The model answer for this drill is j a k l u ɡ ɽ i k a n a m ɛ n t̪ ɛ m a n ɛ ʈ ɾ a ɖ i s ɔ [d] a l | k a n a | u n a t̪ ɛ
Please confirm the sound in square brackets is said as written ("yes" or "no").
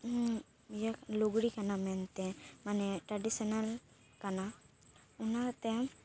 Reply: no